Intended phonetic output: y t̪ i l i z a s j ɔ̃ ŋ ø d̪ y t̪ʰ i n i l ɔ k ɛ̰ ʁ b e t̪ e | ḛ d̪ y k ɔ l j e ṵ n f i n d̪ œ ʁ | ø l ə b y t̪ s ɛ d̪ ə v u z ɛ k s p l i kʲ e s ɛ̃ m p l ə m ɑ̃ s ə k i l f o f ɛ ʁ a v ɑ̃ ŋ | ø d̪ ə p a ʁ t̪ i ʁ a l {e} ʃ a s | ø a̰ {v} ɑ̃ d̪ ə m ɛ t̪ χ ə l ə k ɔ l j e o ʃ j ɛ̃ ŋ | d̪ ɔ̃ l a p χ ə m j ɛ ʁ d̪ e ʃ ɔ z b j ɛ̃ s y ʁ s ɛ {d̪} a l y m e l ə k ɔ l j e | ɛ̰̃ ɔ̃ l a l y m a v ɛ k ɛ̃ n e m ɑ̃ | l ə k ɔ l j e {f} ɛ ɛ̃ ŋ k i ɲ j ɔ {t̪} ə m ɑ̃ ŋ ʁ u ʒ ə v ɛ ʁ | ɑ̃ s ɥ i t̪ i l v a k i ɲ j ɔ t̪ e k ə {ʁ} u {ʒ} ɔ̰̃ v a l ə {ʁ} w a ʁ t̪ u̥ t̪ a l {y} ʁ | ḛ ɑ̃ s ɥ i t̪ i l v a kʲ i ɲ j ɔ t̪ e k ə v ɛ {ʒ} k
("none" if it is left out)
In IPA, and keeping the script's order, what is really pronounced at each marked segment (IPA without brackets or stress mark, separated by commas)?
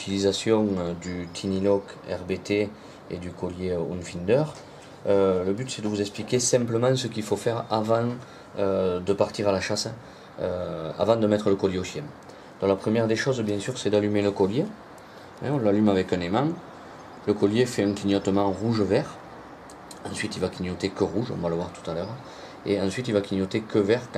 a, v, d̪, f, t̪, ʁ, ʒ, v, œ, ʁ